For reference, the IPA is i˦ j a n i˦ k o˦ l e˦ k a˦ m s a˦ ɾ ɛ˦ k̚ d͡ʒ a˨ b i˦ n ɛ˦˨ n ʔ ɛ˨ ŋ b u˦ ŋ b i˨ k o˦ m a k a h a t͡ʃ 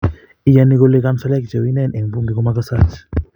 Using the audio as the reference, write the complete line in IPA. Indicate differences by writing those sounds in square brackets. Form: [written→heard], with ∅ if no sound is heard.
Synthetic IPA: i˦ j a n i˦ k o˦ l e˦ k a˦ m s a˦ [ɾ→l] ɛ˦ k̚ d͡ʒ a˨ [b→w] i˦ n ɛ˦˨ n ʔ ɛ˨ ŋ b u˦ ŋ [b→ɡ] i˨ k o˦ m a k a [h→s] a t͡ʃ